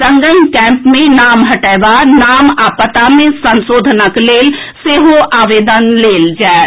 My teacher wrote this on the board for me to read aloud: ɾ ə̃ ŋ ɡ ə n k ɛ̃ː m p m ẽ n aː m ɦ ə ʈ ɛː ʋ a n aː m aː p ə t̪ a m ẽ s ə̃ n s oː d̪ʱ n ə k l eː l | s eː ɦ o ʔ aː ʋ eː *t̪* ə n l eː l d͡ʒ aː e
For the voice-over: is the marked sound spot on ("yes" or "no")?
no